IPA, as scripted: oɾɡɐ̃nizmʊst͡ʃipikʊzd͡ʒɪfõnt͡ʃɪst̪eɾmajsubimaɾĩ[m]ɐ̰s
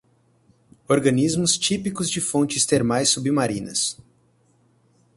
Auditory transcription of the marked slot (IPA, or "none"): n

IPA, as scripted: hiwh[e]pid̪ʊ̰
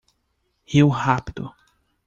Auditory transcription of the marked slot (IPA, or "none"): a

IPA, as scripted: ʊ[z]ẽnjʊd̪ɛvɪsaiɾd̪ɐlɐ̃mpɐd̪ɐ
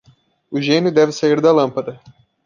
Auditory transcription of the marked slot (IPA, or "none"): ʒ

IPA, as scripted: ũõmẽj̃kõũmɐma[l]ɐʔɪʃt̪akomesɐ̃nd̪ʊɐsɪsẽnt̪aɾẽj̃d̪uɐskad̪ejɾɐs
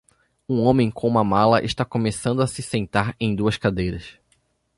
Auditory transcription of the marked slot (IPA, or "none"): l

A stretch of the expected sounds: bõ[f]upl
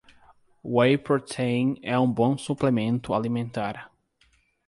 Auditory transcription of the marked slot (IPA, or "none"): s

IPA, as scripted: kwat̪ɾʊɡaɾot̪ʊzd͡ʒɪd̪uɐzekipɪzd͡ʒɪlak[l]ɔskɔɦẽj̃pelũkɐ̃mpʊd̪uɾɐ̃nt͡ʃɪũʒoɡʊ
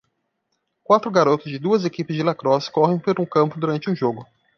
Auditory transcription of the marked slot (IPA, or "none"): ɾ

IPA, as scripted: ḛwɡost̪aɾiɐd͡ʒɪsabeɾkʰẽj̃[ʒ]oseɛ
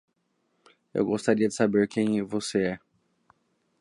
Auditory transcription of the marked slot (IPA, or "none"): v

